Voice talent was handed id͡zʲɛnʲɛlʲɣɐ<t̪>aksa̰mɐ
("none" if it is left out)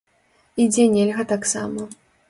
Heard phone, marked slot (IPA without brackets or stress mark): t̪